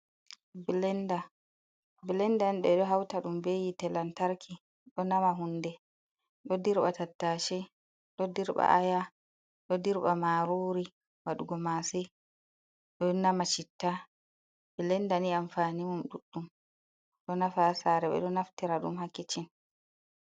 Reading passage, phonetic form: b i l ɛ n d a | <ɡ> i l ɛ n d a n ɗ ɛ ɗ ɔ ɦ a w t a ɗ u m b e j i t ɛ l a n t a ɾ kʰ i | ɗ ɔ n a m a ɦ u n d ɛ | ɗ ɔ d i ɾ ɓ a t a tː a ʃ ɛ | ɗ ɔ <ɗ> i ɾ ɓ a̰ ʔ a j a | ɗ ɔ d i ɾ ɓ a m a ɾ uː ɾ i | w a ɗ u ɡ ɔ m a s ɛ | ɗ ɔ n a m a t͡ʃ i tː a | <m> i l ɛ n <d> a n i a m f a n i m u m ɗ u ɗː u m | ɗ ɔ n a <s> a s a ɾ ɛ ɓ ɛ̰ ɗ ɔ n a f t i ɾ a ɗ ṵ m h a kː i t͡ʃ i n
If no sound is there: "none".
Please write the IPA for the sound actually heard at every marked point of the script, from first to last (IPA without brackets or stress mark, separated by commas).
b, d, b, d, f